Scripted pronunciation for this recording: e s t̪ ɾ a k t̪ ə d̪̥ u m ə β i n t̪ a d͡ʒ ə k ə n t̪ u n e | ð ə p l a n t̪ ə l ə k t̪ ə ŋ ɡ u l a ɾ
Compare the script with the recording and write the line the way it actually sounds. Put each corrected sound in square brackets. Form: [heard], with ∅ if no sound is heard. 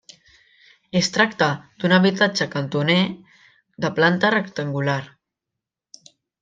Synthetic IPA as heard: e s t̪ ɾ a k t̪ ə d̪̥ u [n] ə β i [∅] t̪ a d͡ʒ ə k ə n t̪ u n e | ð ə p l a n t̪ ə [r] ə k t̪ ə ŋ ɡ u l a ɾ